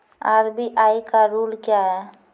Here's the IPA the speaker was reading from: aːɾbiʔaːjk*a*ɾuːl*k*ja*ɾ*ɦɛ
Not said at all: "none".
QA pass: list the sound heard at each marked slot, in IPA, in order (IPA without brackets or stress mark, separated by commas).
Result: a, k, none